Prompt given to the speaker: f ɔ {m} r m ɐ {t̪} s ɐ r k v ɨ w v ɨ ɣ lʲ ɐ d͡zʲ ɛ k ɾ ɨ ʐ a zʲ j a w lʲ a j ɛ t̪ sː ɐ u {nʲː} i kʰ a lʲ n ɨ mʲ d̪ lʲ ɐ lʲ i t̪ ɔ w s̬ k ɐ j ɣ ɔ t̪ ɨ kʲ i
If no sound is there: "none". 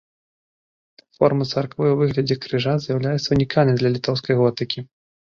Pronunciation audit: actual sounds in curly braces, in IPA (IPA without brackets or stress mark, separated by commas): none, t̪, nʲ